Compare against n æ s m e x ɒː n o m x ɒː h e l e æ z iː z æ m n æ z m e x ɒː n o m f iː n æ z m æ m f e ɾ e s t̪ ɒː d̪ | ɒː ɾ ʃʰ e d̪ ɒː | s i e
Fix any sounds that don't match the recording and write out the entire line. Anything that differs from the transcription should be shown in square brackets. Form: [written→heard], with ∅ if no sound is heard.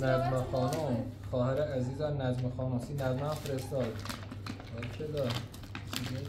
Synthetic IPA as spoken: n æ [s→z] m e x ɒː n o m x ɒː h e [l→ɾ] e æ z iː z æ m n æ z m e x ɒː n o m [f→s] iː n æ z m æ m f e ɾ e s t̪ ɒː d̪ | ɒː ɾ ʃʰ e d̪ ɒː | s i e